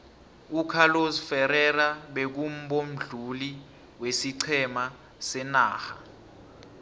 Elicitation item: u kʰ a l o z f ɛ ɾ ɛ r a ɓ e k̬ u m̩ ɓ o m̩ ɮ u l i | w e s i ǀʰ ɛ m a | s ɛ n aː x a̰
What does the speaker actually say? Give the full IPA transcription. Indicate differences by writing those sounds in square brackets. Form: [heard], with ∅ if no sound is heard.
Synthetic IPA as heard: u kʰ a l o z f ɛ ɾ ɛ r a ɓ e k̬ u m̩ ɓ o m̩ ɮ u l i | w e s i ǀʰ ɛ m a | s ɛ n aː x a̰